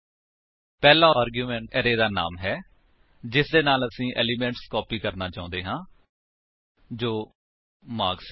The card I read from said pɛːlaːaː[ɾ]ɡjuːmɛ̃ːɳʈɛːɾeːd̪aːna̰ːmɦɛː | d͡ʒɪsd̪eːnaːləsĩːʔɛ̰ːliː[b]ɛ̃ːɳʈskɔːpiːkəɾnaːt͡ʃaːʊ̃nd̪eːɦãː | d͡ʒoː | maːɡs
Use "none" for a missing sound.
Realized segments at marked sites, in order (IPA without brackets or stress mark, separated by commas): ɾ, m